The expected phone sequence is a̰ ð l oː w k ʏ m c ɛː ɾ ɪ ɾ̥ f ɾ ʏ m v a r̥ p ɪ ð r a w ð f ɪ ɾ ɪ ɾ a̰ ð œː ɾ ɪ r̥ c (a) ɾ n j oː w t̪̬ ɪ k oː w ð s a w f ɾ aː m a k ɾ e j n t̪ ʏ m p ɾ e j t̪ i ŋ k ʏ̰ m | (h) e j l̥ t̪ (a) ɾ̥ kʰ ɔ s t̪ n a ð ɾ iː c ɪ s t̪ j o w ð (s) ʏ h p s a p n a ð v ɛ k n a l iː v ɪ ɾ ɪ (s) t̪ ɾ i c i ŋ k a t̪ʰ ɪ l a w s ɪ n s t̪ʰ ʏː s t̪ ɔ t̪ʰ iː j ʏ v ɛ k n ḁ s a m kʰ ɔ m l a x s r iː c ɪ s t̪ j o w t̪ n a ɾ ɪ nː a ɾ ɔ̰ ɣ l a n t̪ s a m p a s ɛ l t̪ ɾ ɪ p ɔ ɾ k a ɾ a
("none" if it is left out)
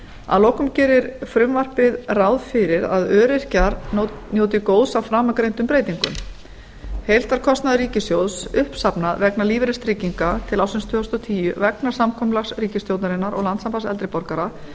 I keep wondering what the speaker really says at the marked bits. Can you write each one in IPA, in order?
a, h, a, s, s

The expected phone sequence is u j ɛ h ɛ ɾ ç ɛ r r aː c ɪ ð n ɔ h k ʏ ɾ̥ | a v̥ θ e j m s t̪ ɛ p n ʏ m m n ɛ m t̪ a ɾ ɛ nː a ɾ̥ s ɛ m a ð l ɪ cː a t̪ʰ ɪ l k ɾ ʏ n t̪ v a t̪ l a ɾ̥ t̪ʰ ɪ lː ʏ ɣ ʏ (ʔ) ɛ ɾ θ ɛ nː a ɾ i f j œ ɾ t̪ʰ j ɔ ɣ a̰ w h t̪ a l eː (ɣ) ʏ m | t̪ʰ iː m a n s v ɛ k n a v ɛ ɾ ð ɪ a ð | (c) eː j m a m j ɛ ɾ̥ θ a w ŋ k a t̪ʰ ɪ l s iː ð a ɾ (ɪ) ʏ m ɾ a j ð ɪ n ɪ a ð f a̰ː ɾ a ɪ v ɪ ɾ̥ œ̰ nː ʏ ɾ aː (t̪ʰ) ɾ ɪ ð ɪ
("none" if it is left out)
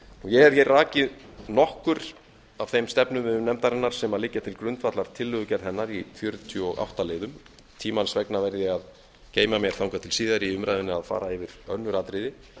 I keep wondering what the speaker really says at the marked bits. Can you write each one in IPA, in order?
c, ð, c, i, t̪

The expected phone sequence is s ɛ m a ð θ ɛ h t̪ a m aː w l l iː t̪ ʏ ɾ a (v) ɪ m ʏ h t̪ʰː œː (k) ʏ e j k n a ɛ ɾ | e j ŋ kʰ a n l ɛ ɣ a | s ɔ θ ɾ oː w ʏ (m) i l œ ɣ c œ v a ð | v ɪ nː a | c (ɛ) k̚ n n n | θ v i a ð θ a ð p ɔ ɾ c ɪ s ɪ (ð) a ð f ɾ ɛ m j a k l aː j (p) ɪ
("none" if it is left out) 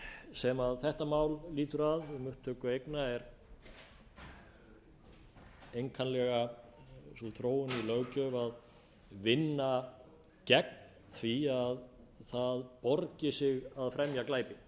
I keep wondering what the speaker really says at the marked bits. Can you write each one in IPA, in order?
ð, k, n, ɛ, ɣ, p

